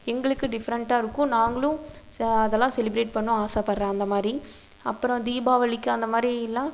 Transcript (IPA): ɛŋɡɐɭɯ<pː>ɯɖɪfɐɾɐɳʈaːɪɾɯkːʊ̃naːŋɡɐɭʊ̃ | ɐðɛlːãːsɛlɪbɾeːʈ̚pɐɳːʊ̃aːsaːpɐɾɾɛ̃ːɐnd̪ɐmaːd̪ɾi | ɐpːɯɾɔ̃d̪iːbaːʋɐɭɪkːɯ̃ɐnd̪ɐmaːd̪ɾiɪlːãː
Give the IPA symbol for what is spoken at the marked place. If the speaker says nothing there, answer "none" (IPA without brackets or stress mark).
kː